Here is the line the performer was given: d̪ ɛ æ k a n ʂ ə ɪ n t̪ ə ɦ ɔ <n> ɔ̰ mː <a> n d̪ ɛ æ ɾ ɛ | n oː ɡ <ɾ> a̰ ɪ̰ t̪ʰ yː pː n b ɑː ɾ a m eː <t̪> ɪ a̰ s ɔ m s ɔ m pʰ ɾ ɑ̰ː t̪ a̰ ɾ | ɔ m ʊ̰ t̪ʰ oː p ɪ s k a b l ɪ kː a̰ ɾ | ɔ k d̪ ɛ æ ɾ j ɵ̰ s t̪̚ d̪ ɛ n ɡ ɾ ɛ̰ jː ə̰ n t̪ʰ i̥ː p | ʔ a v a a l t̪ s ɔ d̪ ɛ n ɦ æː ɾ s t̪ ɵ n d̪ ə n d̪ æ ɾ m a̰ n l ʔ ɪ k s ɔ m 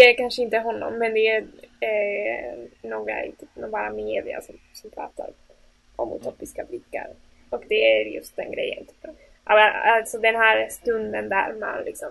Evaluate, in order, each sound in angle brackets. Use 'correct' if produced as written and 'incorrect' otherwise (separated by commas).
incorrect, incorrect, correct, incorrect